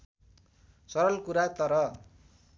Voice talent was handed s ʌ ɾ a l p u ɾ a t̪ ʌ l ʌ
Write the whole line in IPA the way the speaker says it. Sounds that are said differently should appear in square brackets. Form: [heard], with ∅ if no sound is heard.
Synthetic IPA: s ʌ ɾ [ʌ] l [k] u ɾ a t̪ ʌ [ɾ] ʌ